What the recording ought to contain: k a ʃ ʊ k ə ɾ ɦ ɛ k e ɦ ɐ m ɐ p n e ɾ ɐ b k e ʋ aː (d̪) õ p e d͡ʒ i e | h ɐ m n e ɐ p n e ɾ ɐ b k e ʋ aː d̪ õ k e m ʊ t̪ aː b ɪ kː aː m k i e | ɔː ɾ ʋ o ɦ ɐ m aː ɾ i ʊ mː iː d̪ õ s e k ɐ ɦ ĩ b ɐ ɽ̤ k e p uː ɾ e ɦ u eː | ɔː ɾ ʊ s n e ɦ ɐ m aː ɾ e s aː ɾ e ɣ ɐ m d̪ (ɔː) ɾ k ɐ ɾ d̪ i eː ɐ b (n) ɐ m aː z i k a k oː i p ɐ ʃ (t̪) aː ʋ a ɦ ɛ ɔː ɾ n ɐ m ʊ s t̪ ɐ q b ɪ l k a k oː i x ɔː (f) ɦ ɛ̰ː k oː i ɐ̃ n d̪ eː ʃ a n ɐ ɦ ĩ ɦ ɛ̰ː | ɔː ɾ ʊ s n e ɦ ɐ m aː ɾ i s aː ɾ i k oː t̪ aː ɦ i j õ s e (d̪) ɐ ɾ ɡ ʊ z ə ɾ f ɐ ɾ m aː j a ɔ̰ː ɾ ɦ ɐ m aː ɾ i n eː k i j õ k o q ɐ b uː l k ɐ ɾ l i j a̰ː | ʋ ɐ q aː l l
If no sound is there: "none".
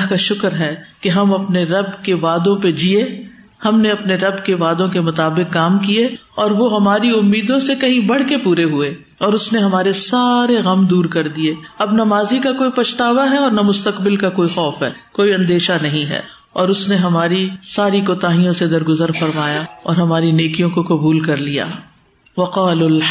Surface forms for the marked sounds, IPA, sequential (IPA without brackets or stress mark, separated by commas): d̪, uː, n, t̪, f, d̪